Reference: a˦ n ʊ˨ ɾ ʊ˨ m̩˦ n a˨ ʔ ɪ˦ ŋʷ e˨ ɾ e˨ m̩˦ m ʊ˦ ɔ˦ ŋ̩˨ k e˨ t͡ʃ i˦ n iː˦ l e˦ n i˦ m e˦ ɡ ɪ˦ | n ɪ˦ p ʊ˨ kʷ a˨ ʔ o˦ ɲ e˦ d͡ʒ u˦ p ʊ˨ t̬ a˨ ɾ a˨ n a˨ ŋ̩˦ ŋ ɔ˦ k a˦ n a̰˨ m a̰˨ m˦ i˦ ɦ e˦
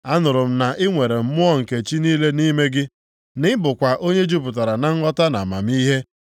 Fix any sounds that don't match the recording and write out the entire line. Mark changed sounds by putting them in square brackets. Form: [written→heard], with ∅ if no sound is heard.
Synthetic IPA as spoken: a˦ n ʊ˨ ɾ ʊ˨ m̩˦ n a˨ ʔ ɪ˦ ŋʷ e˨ ɾ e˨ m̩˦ m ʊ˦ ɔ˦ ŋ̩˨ k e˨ t͡ʃ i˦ n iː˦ l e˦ n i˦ m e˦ ɡ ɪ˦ | n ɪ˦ [p→b] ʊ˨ kʷ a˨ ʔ o˦ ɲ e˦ d͡ʒ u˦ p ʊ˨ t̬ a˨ ɾ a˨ n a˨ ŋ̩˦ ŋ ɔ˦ [k→t] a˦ n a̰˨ m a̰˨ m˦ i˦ ɦ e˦